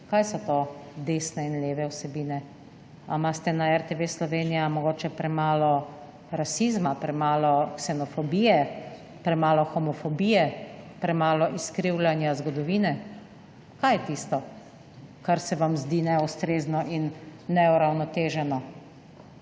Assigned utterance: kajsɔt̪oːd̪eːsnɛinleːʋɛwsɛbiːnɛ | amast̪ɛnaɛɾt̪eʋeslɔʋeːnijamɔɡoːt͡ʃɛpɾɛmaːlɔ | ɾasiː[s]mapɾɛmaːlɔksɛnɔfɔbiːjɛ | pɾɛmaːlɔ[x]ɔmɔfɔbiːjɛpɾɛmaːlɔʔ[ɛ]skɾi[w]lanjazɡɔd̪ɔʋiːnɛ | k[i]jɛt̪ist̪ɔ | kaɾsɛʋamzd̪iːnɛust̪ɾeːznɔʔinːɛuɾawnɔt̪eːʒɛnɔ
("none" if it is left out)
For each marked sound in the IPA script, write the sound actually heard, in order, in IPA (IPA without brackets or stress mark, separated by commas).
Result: z, x, i, w, a